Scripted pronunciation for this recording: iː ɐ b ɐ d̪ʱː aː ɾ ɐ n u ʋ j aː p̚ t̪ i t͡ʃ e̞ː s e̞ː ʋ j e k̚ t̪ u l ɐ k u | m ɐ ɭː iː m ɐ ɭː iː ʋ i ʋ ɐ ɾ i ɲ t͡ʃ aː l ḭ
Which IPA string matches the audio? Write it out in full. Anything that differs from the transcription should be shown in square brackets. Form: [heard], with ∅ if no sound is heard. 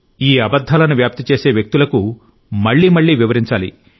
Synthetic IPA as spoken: iː ɐ b ɐ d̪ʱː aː [l] ɐ n u ʋ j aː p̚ t̪ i t͡ʃ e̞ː s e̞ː ʋ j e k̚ t̪ u l ɐ k u | m ɐ ɭː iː m ɐ ɭː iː ʋ i ʋ ɐ ɾ i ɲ t͡ʃ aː l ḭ